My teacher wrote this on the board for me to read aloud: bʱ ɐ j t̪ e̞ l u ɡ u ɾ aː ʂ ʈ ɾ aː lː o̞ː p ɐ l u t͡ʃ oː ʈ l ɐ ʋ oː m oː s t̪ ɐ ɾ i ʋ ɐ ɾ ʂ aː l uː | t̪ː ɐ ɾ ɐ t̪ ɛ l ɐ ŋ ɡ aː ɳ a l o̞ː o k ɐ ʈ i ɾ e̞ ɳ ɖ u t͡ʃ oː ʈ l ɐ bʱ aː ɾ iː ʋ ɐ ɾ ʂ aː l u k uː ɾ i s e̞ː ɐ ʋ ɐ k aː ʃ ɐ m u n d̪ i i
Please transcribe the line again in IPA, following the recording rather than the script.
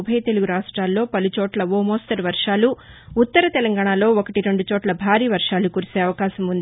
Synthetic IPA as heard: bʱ ɐ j t̪ e̞ l u ɡ u ɾ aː ʂ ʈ ɾ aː lː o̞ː p ɐ l u t͡ʃ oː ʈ l ɐ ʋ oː m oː s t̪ ɐ ɾ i ʋ ɐ ɾ ʂ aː l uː | t̪ː ɐ ɾ ɐ t̪ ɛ l ɐ ŋ ɡ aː ɳ a l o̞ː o k ɐ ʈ i ɾ e̞ ɳ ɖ u t͡ʃ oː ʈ l ɐ bʱ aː ɾ iː ʋ ɐ ɾ ʂ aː l u k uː ɾ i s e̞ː ɐ ʋ ɐ k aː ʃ ɐ m u n d̪ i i